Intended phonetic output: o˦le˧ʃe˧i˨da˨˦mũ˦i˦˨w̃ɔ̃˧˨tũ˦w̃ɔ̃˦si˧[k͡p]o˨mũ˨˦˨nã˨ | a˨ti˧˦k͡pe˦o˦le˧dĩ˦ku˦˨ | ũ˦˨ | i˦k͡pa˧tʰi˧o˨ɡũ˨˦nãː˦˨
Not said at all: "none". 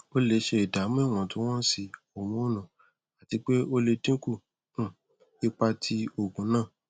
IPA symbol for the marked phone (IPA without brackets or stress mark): none